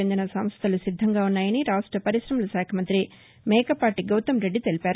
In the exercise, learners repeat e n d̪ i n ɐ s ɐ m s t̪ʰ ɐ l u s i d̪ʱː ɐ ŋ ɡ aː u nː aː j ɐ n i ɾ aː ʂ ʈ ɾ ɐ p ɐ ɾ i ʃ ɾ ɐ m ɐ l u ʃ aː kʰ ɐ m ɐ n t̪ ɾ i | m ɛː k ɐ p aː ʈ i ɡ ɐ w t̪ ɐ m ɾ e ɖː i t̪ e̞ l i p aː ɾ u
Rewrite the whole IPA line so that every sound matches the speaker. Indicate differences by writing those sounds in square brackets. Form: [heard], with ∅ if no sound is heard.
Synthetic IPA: e n d̪ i n ɐ s ɐ m s t̪ʰ ɐ l u s i d̪ʱː ɐ ŋ ɡ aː u nː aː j ɐ n i ɾ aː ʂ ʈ ɾ ɐ p ɐ ɾ i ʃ ɾ ɐ m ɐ l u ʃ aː kʰ ɐ m ɐ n t̪ ɾ i | m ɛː k ɐ p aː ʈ i ɡ ɐ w t̪ ɐ m ɾ e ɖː i t̪ e̞ l i p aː ɾ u